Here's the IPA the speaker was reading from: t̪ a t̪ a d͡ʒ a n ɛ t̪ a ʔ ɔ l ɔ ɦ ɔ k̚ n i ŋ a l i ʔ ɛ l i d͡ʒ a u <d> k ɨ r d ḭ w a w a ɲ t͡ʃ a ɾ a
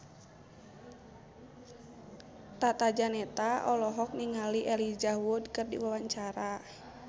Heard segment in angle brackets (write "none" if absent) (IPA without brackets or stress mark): d